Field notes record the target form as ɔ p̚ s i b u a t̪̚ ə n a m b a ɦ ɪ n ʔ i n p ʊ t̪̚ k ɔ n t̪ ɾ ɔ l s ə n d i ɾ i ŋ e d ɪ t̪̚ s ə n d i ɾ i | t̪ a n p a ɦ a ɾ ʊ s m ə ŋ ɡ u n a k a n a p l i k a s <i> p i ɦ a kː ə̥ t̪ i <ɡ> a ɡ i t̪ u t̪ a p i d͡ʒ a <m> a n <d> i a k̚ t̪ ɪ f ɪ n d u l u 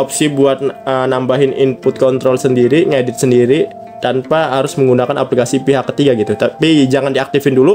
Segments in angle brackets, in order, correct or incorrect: correct, correct, incorrect, correct

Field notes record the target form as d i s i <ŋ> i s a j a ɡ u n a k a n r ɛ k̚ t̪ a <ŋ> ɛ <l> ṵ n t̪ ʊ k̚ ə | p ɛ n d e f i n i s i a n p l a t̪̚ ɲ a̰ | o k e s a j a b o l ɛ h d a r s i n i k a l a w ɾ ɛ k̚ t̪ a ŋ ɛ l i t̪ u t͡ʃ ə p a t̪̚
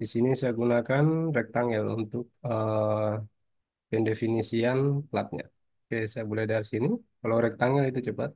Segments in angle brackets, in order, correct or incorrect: incorrect, correct, correct

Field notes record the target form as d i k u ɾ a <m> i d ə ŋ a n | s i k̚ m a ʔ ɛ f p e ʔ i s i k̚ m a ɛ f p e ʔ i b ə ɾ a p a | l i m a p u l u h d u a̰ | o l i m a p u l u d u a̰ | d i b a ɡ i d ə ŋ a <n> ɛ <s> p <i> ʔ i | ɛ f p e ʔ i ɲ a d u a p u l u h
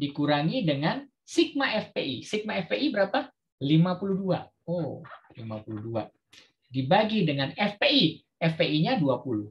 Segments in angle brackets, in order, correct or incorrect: incorrect, correct, incorrect, incorrect

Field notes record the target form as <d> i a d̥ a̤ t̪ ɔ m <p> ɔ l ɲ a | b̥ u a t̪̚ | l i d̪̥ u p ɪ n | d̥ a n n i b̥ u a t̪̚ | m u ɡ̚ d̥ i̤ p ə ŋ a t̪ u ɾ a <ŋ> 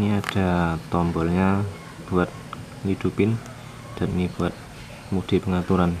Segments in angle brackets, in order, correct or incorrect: incorrect, incorrect, incorrect

